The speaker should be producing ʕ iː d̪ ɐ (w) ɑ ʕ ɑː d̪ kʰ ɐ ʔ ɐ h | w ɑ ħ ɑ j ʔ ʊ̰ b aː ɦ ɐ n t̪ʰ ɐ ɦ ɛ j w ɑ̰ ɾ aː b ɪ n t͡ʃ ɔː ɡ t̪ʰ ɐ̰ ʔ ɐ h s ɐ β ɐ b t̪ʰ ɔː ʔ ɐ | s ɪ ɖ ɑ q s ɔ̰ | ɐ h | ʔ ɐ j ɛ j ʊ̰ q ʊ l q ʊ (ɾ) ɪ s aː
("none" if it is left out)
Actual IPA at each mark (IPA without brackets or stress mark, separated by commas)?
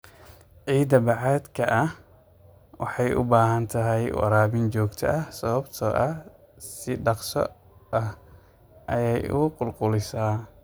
b, l